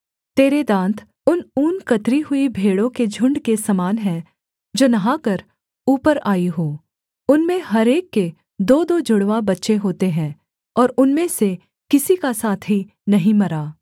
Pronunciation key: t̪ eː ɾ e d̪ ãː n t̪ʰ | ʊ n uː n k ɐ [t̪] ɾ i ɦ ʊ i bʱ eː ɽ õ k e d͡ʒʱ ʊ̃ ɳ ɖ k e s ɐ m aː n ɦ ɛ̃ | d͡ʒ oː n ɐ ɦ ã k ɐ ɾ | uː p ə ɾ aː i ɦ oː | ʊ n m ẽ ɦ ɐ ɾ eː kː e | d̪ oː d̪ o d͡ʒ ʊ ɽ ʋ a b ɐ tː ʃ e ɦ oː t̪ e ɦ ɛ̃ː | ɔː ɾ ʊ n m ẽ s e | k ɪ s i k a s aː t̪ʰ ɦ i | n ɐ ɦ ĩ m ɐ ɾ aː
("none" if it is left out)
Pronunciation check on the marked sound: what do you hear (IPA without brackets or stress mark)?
t̪